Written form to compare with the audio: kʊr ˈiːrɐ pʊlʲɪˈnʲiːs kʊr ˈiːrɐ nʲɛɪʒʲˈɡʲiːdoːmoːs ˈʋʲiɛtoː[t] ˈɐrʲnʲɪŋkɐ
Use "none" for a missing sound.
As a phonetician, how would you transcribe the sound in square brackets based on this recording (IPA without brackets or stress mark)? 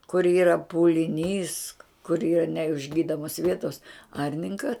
s